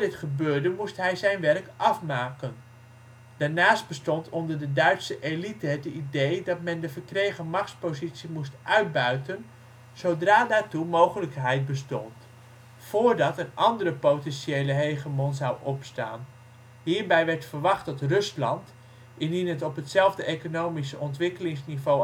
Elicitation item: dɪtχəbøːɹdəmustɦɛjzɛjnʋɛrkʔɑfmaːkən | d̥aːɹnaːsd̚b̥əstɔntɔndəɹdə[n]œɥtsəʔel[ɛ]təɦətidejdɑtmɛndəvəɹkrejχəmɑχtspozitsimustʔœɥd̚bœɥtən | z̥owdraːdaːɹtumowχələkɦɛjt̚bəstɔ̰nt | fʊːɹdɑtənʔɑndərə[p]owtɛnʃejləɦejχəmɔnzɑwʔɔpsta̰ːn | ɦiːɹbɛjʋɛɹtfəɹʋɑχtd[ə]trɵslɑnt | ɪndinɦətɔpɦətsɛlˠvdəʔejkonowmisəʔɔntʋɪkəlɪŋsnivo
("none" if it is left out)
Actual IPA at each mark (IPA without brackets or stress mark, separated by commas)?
d, i, p, ɑ